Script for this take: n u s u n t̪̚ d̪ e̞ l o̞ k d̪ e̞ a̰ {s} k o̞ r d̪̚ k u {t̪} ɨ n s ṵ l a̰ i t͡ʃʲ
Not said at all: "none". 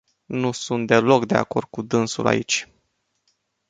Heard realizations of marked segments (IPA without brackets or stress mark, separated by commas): none, d̪